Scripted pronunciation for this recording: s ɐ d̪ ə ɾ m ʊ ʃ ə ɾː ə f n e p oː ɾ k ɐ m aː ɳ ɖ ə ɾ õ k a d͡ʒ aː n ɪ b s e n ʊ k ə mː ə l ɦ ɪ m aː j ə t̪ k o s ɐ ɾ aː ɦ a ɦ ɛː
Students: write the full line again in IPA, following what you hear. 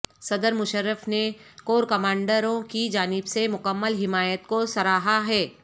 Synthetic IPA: s ɐ d̪ ə ɾ m ʊ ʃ ə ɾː ə f n e k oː ɾ k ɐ m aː ɳ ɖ ə ɾ õ k i d͡ʒ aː n ɪ b s e m ʊ k ə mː ə l ɦ ɪ m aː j ə t̪ k o s ɐ ɾ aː ɦ a ɦ ɛː